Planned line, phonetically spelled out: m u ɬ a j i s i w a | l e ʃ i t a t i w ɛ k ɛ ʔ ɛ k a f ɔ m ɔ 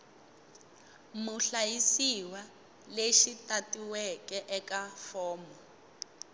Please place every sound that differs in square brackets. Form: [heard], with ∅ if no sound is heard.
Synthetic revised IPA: m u ɬ a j i s i w a | l e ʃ i t a t i w ɛ k ɛ ʔ ɛ k a f [ɔː] m ɔ